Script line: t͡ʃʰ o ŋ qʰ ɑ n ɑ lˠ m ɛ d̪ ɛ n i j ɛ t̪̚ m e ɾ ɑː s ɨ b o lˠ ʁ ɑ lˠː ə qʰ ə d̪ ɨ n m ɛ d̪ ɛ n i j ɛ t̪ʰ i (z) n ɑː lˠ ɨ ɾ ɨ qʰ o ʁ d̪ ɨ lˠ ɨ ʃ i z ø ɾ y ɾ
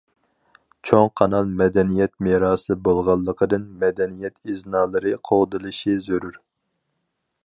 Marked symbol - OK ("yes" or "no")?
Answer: yes